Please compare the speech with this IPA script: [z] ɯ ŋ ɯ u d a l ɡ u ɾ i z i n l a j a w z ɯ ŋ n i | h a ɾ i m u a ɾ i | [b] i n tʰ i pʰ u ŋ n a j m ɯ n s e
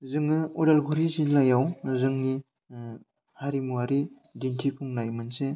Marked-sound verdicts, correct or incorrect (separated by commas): correct, incorrect